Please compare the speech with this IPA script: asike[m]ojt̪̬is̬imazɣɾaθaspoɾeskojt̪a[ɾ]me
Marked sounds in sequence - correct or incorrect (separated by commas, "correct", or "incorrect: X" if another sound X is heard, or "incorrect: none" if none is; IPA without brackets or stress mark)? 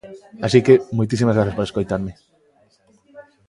correct, correct